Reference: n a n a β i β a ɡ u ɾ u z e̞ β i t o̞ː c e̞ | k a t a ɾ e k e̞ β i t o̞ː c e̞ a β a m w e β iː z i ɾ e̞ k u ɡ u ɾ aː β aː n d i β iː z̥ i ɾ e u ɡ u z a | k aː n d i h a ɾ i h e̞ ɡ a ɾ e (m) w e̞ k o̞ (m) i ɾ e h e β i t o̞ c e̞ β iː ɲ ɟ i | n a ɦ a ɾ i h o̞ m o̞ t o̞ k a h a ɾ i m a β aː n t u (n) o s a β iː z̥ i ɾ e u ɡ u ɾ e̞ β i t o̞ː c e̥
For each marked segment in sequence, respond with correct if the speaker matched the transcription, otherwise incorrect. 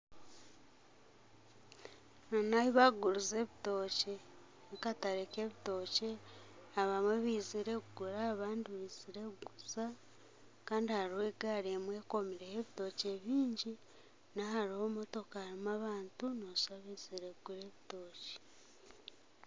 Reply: correct, correct, correct

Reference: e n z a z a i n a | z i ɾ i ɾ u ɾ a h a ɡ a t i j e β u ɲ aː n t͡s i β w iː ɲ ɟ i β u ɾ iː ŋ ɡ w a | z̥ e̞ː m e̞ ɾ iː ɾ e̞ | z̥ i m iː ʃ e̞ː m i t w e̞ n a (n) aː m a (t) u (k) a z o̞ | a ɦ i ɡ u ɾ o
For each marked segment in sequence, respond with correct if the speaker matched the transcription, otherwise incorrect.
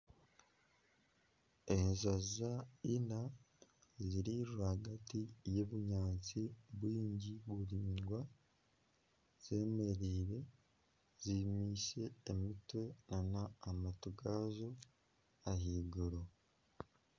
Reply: correct, correct, incorrect: ɡ

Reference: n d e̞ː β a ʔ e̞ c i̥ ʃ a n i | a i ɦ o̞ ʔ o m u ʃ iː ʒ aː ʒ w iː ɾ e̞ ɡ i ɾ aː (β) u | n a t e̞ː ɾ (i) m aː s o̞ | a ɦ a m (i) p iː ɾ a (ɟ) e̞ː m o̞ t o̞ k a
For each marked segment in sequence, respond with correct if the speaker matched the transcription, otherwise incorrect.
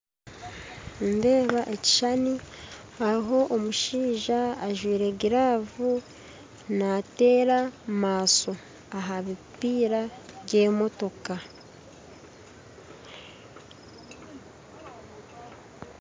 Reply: incorrect: v, incorrect: a, correct, correct

